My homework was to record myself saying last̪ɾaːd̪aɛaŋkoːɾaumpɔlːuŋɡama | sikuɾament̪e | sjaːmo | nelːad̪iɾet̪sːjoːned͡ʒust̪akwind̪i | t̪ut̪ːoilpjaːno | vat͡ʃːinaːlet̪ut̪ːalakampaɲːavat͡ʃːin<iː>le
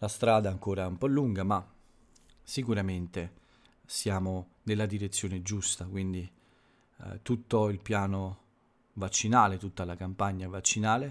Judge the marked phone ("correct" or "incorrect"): incorrect